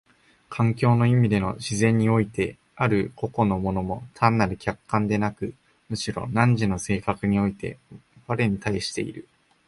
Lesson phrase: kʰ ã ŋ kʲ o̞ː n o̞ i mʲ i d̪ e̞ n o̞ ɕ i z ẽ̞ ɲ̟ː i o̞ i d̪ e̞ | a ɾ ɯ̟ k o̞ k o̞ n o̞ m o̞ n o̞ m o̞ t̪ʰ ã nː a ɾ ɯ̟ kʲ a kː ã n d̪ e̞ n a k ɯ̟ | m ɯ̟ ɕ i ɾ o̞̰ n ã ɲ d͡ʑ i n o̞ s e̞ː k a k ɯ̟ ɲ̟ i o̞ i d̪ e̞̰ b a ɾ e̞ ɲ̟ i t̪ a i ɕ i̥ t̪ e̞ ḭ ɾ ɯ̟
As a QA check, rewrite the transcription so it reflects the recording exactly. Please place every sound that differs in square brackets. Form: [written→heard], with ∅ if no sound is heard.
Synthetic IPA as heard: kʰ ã ŋ kʲ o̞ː n o̞ i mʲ i d̪ e̞ n o̞ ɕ i z ẽ̞ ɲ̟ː i o̞ i [d̪→t̪] e̞ | a ɾ ɯ̟ k o̞ k o̞ n o̞ m o̞ n o̞ m o̞ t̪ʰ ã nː a ɾ ɯ̟ kʲ a kː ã n d̪ e̞ n a k ɯ̟ | m ɯ̟ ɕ i ɾ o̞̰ n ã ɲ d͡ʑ i n o̞ s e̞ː k a k ɯ̟ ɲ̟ i o̞ i [d̪→t̪] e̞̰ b a ɾ e̞ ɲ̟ i t̪ a i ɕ i̥ t̪ e̞ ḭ ɾ ɯ̟